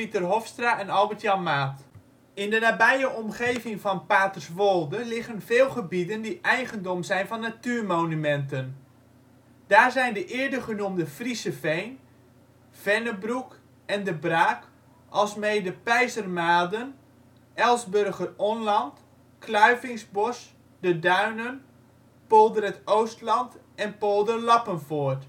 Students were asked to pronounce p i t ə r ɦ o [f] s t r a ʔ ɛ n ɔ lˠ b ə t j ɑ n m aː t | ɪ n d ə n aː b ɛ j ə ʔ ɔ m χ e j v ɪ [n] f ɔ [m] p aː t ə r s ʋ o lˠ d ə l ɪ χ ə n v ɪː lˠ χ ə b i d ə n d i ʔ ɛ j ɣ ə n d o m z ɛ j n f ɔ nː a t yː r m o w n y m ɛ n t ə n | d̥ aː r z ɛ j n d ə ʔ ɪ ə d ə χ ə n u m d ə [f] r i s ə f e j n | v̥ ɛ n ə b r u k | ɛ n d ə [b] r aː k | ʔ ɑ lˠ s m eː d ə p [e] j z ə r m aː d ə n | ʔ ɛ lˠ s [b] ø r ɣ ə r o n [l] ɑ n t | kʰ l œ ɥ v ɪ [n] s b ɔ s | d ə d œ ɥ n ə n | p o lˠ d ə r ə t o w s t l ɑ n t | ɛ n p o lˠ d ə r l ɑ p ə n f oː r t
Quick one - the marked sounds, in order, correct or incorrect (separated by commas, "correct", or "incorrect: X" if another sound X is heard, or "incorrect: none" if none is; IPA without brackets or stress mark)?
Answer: correct, incorrect: ŋ, incorrect: n, correct, correct, incorrect: ɛ, correct, correct, incorrect: ŋ